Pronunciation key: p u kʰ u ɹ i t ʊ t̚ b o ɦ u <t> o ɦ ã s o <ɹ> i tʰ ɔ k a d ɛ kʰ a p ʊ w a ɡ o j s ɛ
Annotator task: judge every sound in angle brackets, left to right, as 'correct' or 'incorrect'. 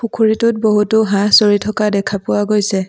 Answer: correct, correct

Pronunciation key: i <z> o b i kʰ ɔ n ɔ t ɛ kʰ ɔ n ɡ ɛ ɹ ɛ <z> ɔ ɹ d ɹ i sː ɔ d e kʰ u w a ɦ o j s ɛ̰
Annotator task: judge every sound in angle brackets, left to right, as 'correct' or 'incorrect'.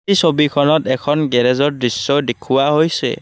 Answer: incorrect, correct

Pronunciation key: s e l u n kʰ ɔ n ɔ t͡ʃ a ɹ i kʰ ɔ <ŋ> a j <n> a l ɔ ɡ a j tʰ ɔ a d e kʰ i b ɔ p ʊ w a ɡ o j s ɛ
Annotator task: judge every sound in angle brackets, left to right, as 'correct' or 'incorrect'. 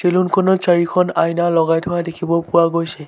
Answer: incorrect, correct

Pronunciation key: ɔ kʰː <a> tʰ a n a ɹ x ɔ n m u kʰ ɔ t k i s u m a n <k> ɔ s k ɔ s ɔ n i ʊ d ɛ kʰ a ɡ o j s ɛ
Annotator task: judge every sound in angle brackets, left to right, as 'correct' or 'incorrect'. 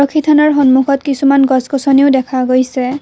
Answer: incorrect, incorrect

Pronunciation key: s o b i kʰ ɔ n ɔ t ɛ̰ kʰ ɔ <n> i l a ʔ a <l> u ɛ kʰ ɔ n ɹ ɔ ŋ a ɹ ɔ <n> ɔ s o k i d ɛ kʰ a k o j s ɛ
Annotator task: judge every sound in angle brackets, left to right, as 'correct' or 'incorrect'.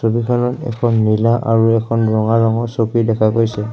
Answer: incorrect, incorrect, incorrect

